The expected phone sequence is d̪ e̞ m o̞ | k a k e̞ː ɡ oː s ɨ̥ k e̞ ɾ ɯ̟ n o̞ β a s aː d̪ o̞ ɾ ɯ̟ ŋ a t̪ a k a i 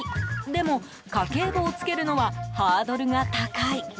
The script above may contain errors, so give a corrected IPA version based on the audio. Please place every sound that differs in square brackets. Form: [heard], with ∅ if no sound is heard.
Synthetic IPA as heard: d̪ e̞ m o̞ | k a k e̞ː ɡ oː [t͡s] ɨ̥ k e̞ ɾ ɯ̟ n o̞ β a [h] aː d̪ o̞ ɾ ɯ̟ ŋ a t̪ a k a i